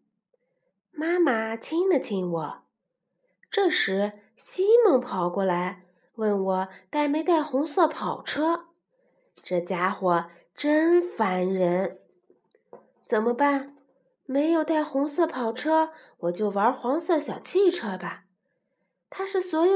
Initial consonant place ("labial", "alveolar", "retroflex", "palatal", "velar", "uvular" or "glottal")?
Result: labial